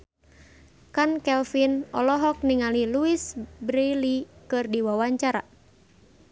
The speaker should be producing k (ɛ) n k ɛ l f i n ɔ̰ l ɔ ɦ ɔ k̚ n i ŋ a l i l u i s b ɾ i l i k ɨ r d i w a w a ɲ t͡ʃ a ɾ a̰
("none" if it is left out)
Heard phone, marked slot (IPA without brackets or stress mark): a